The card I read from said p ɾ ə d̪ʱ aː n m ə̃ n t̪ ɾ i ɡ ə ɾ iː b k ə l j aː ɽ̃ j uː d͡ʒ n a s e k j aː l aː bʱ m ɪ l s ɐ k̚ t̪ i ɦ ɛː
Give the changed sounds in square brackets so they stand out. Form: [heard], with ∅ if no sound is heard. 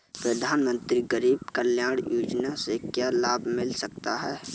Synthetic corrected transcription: p ɾ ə d̪ʱ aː n m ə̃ n t̪ ɾ i ɡ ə ɾ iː b k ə l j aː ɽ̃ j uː d͡ʒ n a s e k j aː l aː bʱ m ɪ l s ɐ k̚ t̪ [a] ɦ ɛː